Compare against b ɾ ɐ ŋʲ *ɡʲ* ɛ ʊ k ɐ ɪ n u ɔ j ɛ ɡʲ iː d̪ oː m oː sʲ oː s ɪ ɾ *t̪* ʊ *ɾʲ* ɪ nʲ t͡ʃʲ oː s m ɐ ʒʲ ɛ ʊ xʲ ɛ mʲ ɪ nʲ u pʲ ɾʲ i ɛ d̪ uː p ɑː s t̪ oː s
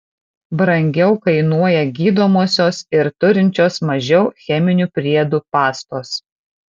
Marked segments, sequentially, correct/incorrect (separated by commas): correct, correct, correct